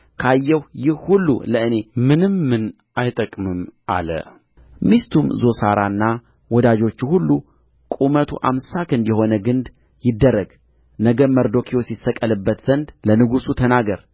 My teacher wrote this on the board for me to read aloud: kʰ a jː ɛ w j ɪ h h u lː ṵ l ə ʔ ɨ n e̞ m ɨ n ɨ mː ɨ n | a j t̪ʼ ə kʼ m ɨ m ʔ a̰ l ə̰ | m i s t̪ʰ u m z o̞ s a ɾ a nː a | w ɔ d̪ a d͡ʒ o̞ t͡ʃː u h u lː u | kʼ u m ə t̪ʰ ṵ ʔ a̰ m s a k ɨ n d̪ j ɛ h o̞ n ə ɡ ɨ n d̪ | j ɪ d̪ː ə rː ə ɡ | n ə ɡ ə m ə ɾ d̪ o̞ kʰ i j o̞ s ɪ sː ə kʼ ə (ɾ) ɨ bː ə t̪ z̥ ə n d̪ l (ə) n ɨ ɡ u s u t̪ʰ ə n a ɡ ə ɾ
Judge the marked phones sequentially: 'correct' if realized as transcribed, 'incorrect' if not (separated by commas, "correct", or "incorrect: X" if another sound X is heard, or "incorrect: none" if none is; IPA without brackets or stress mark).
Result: incorrect: l, correct